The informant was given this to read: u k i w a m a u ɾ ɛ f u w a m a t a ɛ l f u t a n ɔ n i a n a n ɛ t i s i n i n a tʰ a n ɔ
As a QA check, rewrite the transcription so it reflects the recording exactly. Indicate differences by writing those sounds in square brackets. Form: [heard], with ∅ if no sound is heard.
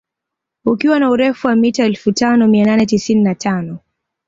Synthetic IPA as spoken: u k i w a [n] a u ɾ ɛ f u w a m [i] t a ɛ l f u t a n ɔ [m] i a n a n ɛ t i s i n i n a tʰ a n ɔ